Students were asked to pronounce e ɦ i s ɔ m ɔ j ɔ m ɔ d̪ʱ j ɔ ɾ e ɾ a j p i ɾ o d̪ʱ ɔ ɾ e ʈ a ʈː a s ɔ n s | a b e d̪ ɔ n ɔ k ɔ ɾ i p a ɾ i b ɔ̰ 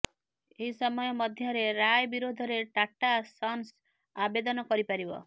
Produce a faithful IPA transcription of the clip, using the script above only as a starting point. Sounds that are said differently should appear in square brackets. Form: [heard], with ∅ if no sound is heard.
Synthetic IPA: e ɦ i s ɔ m ɔ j ɔ m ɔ d̪ʱ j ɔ ɾ e ɾ a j [b] i ɾ o d̪ʱ ɔ ɾ e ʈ a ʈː a s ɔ n s | a b e d̪ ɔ n ɔ k ɔ ɾ i p a ɾ i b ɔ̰